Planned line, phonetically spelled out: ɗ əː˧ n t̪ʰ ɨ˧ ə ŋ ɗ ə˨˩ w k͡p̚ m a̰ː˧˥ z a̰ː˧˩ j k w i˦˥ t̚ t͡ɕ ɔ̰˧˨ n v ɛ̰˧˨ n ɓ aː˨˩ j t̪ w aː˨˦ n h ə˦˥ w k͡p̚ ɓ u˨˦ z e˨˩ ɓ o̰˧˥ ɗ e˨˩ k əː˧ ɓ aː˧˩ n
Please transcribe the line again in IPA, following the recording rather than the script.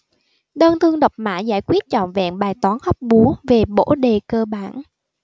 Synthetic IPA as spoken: ɗ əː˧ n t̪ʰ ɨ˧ ə ŋ ɗ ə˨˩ w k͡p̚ m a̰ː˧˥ z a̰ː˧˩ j k w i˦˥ t̚ t͡ɕ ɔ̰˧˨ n v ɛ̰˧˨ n ɓ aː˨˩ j t̪ w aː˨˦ n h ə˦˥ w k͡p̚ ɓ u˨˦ v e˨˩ ɓ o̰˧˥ ɗ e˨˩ k əː˧ ɓ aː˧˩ n